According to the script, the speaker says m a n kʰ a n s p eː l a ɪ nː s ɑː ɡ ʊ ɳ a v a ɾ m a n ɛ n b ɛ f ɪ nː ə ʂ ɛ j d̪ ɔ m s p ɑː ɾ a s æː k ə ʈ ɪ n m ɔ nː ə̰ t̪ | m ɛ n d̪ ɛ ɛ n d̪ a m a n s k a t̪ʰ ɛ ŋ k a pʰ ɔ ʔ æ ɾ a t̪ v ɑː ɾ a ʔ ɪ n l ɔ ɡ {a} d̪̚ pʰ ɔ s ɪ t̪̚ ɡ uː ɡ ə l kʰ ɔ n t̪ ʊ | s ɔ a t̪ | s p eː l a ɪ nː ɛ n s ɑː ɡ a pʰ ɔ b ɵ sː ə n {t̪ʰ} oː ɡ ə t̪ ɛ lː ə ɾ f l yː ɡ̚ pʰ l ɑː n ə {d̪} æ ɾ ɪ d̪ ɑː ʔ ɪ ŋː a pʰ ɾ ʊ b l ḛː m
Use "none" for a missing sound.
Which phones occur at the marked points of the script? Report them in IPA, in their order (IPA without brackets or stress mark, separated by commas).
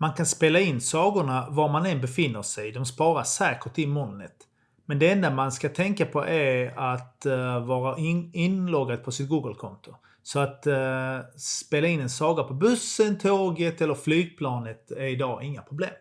a, t̪ʰ, t̪